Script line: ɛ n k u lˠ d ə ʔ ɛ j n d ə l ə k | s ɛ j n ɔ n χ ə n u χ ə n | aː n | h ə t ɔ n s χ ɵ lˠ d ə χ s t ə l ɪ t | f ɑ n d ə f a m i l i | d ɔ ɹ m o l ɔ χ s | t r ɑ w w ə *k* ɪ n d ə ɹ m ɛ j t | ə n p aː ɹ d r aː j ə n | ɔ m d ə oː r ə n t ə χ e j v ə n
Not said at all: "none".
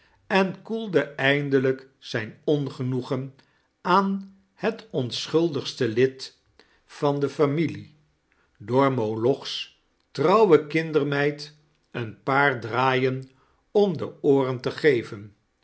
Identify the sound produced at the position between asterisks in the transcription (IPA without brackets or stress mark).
k